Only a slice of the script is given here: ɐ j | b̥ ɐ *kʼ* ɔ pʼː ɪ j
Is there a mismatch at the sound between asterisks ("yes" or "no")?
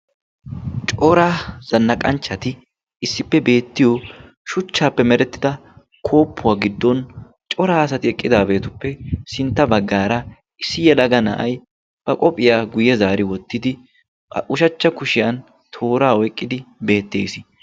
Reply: no